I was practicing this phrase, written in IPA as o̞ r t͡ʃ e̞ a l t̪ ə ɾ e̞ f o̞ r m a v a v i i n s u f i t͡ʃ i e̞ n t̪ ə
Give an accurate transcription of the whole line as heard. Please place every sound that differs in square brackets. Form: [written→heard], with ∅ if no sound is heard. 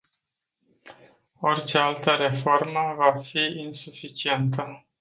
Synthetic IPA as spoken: o̞ r t͡ʃ e̞ a l t̪ ə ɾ e̞ f o̞ r m [a→ə] v a [v→f] i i n s u f i t͡ʃ i e̞ n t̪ ə